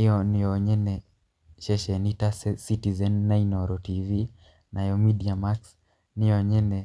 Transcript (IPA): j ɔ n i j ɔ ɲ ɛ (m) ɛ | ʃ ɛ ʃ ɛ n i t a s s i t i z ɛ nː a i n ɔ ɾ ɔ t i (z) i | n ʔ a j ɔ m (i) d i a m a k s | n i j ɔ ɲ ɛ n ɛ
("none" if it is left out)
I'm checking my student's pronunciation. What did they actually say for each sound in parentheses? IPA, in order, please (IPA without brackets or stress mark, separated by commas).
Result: n, v, i